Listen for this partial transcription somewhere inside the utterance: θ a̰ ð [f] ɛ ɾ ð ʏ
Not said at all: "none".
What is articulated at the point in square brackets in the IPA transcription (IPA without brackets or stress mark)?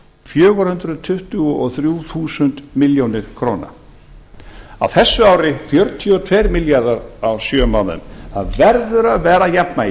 v